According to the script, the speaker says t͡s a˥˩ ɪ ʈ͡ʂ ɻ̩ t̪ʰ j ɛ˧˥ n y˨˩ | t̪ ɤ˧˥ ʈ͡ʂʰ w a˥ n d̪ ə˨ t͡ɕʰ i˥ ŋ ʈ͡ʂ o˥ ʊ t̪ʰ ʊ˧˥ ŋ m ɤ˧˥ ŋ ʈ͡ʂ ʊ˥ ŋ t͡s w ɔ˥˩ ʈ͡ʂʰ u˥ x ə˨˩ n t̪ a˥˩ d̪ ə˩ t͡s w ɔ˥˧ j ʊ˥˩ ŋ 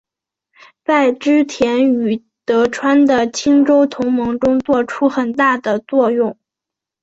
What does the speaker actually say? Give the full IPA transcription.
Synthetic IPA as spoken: t͡s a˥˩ ɪ ʈ͡ʂ ɻ̩ t̪ʰ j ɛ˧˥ n y˨˩ | t̪ ɤ˧˥ ʈ͡ʂʰ w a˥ n d̪ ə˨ t͡ɕʰ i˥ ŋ ʈ͡ʂ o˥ ʊ t̪ʰ ʊ˧˥ ŋ m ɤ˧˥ ŋ ʈ͡ʂ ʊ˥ ŋ t͡s w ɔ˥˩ ʈ͡ʂʰ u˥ x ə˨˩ n t̪ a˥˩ d̪ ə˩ t͡s w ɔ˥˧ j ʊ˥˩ ŋ